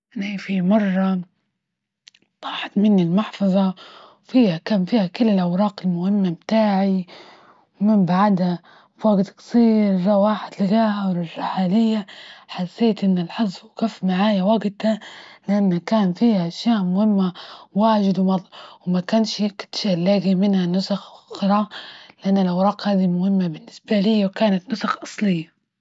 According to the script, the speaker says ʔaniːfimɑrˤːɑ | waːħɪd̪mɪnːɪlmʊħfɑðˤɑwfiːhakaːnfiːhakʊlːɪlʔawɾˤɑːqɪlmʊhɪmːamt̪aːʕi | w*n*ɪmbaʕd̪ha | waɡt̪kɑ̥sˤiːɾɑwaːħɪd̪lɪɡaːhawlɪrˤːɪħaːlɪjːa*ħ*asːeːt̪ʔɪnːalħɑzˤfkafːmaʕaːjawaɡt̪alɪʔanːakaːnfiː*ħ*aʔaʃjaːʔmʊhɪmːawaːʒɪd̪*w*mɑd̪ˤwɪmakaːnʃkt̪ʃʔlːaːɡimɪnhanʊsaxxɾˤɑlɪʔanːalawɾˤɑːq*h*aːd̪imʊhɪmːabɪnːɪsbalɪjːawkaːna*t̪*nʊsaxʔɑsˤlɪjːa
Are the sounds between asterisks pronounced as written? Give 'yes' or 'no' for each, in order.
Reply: no, yes, no, yes, yes, yes

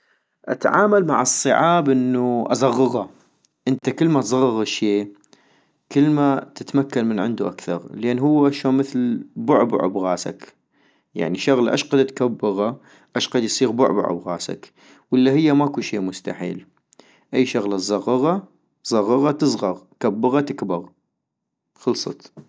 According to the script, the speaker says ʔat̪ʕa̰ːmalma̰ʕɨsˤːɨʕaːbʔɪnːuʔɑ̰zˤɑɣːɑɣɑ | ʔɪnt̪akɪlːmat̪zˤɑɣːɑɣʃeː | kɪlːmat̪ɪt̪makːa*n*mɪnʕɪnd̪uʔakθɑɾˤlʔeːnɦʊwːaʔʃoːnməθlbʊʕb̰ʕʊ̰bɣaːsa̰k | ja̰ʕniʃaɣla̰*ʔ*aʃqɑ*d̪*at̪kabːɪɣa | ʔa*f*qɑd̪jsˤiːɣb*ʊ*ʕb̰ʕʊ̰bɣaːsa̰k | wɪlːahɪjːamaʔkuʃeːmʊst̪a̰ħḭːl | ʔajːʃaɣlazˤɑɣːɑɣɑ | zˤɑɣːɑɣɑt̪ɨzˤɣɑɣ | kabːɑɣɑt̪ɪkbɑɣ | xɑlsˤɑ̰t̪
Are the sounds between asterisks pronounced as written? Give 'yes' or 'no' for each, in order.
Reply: yes, yes, yes, no, yes

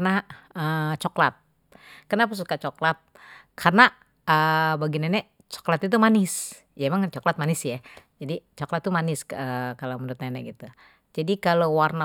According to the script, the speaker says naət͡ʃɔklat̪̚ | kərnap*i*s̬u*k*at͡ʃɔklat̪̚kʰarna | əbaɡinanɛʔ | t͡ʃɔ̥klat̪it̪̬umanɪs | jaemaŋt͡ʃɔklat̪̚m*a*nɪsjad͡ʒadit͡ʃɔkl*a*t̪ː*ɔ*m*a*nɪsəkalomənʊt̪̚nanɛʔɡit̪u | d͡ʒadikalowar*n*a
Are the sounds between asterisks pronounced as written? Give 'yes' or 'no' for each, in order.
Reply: no, yes, yes, yes, no, yes, yes

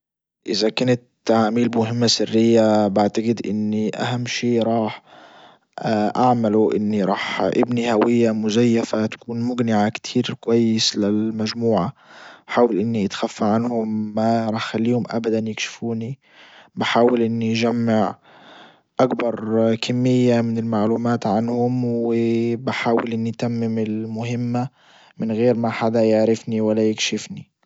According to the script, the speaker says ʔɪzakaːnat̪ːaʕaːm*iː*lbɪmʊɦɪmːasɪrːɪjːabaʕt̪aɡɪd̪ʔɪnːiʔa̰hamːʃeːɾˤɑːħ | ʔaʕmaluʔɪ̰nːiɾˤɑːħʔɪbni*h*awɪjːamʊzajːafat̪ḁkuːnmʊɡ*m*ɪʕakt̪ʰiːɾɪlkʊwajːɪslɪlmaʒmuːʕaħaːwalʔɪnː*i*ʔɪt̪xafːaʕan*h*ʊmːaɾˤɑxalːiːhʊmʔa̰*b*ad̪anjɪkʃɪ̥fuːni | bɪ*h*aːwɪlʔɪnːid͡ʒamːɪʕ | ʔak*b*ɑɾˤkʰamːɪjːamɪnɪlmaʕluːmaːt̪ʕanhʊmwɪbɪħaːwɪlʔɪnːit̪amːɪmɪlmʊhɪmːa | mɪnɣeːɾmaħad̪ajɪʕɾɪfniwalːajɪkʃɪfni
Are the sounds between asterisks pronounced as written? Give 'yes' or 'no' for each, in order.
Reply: yes, yes, no, yes, yes, yes, no, yes

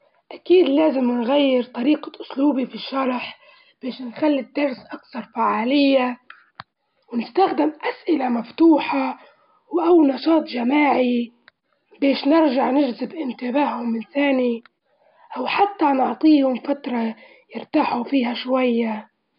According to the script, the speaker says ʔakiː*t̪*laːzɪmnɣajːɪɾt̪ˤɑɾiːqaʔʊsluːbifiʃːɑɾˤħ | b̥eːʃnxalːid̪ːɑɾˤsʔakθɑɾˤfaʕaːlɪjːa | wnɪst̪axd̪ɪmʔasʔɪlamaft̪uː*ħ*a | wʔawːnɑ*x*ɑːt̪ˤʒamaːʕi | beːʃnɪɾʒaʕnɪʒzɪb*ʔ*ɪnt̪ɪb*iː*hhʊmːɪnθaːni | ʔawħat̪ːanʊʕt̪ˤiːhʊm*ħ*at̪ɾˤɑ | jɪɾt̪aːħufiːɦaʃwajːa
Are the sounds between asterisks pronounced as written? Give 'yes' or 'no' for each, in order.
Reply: no, yes, no, yes, no, no

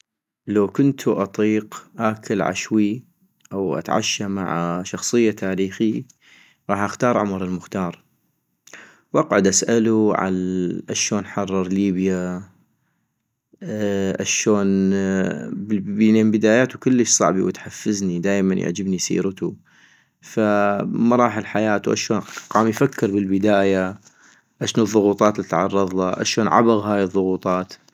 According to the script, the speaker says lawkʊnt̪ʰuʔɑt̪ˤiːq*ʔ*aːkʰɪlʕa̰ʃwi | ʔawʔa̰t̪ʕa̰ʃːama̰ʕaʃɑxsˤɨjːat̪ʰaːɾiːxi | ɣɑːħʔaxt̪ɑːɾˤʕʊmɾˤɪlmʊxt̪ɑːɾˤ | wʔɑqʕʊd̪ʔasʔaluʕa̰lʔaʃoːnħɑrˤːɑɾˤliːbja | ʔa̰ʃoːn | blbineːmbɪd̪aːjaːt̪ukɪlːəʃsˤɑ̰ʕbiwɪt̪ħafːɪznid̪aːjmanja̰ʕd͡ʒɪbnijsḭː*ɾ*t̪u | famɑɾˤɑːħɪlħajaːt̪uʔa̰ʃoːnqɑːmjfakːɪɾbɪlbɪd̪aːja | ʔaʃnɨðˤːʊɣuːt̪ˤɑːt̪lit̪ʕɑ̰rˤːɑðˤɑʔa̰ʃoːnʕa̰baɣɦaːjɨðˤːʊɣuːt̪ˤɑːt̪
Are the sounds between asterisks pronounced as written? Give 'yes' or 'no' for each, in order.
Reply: yes, yes

